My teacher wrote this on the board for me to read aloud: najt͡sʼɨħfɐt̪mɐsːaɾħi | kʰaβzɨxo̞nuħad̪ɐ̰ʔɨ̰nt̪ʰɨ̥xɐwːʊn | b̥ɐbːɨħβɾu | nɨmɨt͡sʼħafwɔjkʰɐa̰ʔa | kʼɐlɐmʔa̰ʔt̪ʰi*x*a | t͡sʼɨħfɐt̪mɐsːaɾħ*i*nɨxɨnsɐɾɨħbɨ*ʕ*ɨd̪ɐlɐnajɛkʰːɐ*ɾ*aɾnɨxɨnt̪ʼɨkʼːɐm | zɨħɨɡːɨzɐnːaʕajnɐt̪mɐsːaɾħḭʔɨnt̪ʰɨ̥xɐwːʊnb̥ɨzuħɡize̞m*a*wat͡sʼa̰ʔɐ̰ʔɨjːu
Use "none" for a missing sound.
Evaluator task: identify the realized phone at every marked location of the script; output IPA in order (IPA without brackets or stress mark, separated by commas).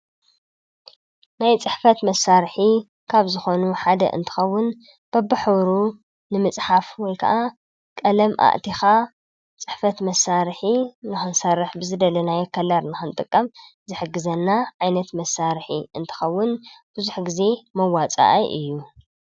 x, i, z, l, ɐ